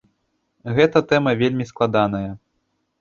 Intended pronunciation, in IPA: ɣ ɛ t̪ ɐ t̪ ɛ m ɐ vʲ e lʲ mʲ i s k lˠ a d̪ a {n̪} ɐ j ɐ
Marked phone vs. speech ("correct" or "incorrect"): correct